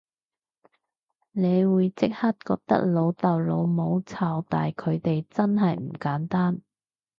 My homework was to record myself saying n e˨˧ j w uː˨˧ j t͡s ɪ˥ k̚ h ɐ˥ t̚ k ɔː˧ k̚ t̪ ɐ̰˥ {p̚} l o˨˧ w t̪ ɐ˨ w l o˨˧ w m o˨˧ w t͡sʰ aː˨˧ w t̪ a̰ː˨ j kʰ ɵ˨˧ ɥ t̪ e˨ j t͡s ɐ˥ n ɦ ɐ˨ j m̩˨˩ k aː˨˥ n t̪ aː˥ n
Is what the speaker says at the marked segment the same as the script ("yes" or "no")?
no